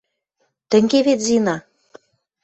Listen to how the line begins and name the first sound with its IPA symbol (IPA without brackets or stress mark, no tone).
t̪